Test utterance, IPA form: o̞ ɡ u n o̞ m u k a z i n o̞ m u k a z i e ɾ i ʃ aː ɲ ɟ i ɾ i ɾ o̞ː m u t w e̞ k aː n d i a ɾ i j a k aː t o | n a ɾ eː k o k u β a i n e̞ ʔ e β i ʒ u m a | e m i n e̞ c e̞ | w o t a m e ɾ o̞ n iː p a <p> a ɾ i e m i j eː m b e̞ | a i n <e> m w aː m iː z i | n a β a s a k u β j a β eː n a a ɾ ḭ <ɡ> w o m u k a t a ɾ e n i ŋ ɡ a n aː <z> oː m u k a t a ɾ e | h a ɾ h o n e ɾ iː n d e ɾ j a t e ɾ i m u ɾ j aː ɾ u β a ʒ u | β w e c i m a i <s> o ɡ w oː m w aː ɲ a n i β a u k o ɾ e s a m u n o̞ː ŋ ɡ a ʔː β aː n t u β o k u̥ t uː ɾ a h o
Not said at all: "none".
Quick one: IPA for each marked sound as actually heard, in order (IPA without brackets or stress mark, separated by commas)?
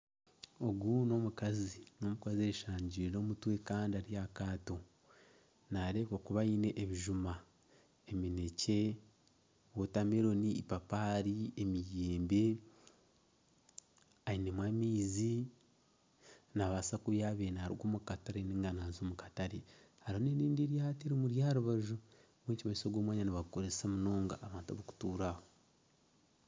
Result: p, e, ɡ, z, s